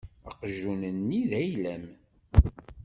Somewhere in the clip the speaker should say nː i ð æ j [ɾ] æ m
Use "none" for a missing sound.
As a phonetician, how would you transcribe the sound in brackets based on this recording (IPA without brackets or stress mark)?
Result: l